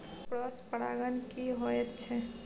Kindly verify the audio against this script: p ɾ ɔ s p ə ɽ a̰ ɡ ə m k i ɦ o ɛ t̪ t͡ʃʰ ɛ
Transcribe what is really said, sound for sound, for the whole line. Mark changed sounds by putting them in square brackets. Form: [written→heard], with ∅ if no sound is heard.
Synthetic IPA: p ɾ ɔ s p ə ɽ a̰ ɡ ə [m→n] k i ɦ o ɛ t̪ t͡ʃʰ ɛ

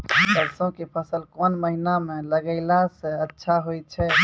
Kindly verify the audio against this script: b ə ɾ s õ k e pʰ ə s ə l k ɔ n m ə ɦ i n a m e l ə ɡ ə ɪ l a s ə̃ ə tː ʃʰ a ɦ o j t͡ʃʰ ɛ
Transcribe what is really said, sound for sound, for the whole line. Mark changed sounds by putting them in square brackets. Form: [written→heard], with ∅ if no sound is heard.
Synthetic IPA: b ə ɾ s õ k e pʰ ə s ə l k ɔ n m ə ɦ i n a m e l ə ɡ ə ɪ l a s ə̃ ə tː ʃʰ a ɦ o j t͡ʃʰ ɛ

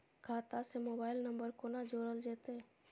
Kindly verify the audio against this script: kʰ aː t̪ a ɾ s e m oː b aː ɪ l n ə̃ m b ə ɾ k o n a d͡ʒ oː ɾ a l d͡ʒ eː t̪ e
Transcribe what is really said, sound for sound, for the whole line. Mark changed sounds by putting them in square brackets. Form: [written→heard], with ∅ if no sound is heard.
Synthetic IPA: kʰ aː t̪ a [ɾ→∅] s e m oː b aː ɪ l n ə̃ m b ə ɾ k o n a d͡ʒ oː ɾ [a→ə] l d͡ʒ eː t̪ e

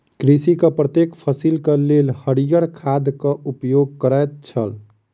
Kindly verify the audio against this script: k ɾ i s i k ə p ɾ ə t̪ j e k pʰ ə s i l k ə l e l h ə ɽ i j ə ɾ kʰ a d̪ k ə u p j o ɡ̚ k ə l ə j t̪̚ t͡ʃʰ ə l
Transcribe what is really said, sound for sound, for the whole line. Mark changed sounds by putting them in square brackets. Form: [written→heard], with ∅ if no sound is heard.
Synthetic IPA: k ɾ i s i k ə p ɾ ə t̪ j e k pʰ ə s i l k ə l e l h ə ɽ i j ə ɾ kʰ a d̪ k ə u p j o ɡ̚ k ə [l→ɾ] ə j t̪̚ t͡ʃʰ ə l

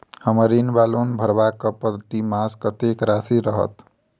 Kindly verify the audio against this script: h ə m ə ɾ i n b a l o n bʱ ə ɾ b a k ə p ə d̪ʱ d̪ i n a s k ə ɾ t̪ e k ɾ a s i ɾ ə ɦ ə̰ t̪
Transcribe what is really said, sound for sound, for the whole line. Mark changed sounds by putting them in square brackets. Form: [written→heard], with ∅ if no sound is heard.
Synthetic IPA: h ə m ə ɾ i n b a l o n bʱ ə ɾ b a k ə p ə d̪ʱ [d̪→t̪] i [n→m] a s k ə [ɾ→∅] t̪ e k ɾ a s i ɾ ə ɦ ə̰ t̪

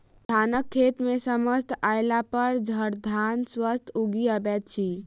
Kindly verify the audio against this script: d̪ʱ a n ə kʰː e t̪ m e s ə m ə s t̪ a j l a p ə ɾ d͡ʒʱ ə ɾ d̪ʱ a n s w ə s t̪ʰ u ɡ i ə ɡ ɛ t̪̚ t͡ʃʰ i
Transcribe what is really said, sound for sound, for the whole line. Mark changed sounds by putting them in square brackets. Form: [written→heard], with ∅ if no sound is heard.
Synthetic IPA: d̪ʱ a n ə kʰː e t̪ m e s ə m ə s t̪ a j l a p ə ɾ d͡ʒʱ ə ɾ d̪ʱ a n s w ə s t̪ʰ u ɡ i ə [ɡ→b] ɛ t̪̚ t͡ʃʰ i

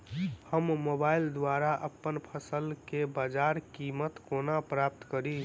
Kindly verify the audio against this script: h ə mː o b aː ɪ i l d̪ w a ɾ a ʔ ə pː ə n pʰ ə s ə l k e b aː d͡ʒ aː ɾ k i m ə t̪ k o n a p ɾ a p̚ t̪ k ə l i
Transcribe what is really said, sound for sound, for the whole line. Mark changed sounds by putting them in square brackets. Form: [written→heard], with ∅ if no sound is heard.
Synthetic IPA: h ə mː o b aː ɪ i l d̪ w a ɾ a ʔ ə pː ə n pʰ ə s ə l k e b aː d͡ʒ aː ɾ k i m ə t̪ k o n a p ɾ a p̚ t̪ k ə [l→ɾ] i

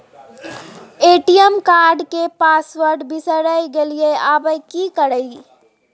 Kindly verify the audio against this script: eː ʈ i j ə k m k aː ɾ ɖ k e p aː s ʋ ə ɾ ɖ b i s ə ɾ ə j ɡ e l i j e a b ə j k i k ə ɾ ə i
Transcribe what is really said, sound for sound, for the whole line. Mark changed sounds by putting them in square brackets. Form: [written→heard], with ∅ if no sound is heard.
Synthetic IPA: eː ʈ i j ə [k→∅] m k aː ɾ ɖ k e p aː s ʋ ə ɾ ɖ b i s ə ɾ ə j ɡ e l i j e a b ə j k i k ə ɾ ə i

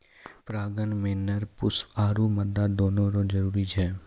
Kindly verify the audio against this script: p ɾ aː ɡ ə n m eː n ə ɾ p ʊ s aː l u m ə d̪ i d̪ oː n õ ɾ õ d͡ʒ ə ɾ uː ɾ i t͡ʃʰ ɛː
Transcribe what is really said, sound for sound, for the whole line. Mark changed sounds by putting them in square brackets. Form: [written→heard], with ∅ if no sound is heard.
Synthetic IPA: p ɾ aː ɡ ə n m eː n ə ɾ p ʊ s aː [l→ɾ] u m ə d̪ [i→a] d̪ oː n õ ɾ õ d͡ʒ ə ɾ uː ɾ i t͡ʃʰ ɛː

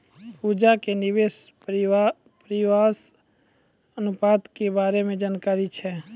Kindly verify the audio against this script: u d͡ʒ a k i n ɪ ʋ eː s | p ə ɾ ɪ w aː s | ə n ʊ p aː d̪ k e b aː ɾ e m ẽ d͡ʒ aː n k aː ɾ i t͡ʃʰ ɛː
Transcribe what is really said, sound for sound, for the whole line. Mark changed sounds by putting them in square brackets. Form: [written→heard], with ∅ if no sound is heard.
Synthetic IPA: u d͡ʒ a k [i→e] n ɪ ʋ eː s | p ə ɾ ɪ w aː s | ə n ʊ p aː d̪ k e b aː ɾ e m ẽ d͡ʒ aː n k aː ɾ i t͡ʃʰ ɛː

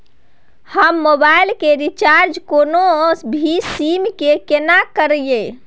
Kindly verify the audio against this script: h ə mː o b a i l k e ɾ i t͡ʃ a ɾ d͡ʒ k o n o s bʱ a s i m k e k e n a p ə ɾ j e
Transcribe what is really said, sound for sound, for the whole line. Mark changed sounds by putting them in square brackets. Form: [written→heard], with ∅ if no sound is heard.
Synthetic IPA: h ə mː o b a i l k e ɾ i t͡ʃ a ɾ d͡ʒ k o n o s bʱ [a→i] s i m k e k e n a [p→k] ə ɾ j e

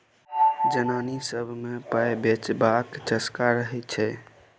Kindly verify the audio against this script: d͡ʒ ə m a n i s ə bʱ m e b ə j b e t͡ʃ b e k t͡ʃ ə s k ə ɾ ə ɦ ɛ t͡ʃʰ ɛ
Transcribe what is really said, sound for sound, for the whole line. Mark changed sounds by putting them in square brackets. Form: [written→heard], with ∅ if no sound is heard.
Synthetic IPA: d͡ʒ ə [m→n] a n i s ə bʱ m e [b→p] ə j b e t͡ʃ b [e→a] k t͡ʃ ə s k [ə→a] ɾ ə ɦ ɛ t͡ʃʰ ɛ

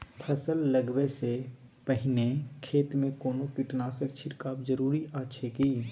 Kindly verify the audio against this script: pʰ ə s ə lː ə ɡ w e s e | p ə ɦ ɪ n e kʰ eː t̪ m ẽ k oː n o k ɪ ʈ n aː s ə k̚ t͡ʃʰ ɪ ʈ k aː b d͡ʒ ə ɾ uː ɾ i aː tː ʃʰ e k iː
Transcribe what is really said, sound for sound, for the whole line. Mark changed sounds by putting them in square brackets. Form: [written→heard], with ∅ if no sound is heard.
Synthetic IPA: pʰ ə s ə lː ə ɡ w e s e | p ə ɦ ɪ n e kʰ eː t̪ m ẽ k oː n o k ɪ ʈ n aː s ə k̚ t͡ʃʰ ɪ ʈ k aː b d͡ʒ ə ɾ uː ɾ i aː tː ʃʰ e k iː

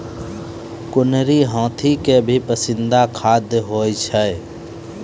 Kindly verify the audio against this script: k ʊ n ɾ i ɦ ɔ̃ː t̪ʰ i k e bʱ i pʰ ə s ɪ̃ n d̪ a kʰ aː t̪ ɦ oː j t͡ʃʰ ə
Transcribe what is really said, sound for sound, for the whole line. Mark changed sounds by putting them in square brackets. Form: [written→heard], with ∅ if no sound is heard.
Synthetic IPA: k ʊ n ɾ i ɦ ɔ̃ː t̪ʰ i k e bʱ i [pʰ→p] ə s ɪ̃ n d̪ a kʰ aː [t̪→d̪] ɦ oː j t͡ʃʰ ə

